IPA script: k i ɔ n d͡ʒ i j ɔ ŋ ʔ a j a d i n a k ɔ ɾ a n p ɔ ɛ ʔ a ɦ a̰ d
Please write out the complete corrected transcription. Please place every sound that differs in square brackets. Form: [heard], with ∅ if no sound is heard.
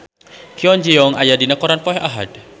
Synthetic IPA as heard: k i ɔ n d͡ʒ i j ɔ ŋ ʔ a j a d i n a k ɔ ɾ a n p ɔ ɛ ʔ a ɦ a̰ d